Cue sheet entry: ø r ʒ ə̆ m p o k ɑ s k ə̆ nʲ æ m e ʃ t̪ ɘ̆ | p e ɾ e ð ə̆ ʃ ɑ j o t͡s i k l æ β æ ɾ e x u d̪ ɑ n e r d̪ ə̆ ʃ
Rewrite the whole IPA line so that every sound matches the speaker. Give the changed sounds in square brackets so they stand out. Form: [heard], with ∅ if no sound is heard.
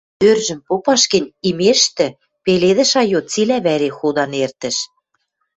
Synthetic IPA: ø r ʒ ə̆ m p o [p] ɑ [ʃ] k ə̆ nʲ [i] m e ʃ t̪ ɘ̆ | p e [l] e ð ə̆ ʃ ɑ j o t͡s i [∅] l æ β æ ɾ e x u d̪ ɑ n e r [t̪] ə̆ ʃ